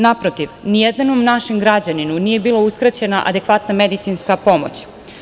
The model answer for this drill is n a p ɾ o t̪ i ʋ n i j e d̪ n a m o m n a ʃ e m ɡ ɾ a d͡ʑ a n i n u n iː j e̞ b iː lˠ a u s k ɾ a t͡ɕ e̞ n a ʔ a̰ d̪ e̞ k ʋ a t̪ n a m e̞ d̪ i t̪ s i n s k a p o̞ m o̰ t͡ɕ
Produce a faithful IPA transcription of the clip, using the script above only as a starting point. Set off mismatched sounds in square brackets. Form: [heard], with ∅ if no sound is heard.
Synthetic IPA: n a p ɾ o t̪ i ʋ n i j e d̪ n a [n] o m n a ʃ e m ɡ ɾ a d͡ʑ a n i n u n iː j e̞ b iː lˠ a u s k ɾ a t͡ɕ e̞ n a ʔ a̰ d̪ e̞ k ʋ a t̪ n a m e̞ d̪ i t̪ s i n s k a p o̞ m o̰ t͡ɕ